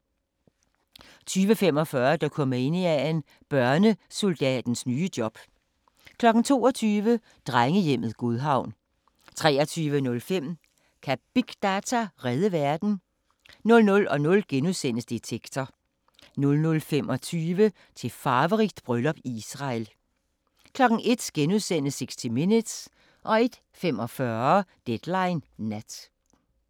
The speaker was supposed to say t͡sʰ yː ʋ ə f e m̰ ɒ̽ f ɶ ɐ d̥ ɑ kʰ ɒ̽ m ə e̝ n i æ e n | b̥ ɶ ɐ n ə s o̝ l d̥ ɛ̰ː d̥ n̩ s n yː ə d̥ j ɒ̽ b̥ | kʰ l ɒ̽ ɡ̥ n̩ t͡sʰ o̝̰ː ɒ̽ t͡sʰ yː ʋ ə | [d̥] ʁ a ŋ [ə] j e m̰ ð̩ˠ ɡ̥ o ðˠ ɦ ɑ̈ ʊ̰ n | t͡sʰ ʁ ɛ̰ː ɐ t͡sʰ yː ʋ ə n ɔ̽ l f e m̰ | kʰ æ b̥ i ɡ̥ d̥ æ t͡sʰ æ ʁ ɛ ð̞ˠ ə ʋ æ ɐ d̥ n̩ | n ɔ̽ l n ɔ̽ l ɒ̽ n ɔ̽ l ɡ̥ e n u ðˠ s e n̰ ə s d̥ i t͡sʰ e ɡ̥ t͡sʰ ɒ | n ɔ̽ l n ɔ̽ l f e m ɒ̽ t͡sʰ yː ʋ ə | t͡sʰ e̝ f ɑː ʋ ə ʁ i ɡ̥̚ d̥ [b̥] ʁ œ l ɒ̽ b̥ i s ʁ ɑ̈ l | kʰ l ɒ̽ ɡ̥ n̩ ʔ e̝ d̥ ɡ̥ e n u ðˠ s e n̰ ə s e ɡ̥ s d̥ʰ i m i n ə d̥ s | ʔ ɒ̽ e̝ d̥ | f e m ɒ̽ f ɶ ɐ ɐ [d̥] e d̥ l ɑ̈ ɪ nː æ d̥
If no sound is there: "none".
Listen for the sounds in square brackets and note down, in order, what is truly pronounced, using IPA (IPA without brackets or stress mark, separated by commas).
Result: d̥, ə, b̥, d̥